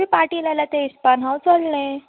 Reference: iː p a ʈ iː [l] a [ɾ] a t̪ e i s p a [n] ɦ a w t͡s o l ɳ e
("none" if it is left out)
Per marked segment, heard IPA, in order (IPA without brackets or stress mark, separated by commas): l, l, n